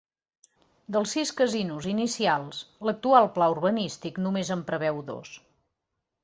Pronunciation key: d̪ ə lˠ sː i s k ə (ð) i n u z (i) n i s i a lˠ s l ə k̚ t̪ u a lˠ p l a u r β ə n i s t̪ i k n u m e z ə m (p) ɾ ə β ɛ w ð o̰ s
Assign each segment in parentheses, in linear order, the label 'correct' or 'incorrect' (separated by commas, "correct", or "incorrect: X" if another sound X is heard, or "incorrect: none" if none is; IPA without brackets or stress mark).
incorrect: z, correct, correct